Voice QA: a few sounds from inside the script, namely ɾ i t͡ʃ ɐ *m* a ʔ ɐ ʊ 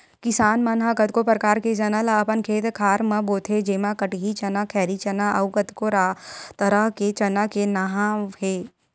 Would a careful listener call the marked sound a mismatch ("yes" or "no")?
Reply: yes